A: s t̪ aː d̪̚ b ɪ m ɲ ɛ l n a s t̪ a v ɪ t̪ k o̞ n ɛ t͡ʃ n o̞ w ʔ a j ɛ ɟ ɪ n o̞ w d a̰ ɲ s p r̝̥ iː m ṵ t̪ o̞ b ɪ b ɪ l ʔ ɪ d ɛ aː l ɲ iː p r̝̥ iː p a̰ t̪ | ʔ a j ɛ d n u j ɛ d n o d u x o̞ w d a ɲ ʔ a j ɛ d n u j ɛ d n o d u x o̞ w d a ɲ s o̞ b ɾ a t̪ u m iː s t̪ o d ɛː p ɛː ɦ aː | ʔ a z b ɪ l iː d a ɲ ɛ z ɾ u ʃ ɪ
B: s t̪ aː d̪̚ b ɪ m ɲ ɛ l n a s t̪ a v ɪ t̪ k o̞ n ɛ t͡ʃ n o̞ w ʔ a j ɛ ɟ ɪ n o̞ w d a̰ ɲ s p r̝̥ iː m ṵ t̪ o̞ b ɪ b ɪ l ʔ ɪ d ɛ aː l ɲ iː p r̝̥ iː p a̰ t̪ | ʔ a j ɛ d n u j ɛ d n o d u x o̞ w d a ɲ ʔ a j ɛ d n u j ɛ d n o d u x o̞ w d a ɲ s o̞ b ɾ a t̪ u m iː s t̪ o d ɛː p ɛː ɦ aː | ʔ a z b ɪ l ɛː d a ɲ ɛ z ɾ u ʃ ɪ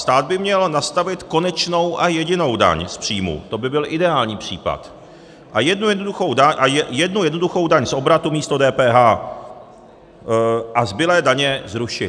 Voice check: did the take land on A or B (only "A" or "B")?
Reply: B